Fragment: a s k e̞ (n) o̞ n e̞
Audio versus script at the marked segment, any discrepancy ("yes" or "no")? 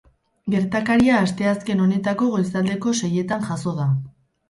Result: no